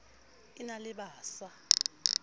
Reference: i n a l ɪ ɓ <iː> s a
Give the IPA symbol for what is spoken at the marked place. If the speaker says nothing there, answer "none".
aː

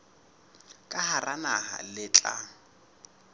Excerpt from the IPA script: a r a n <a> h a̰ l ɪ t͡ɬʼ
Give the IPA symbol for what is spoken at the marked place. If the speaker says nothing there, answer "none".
a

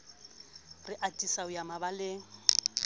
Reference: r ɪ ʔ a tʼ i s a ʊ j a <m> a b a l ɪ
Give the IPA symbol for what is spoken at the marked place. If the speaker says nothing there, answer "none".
m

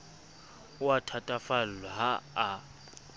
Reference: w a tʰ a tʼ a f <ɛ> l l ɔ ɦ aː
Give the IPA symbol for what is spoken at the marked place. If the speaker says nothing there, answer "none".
a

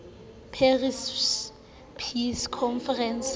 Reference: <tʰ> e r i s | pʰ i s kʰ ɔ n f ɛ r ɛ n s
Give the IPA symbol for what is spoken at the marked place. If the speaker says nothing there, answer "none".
pʰ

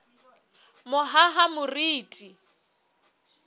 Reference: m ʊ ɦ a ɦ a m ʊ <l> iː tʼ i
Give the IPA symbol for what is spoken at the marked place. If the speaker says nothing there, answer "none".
r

